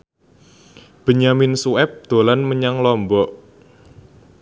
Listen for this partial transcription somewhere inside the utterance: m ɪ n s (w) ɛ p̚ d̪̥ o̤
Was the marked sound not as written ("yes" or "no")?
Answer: yes